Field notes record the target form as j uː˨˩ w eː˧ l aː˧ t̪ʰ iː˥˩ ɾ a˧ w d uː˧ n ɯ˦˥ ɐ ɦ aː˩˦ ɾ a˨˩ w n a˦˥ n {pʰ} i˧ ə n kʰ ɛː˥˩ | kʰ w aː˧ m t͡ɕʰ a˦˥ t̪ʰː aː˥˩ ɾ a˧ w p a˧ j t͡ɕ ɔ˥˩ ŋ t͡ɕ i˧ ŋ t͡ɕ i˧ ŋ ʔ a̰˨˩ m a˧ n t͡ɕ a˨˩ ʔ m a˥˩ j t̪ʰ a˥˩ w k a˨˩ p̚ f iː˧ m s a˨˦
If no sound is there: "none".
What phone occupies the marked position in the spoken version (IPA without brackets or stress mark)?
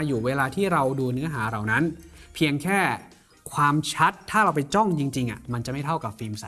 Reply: pʰ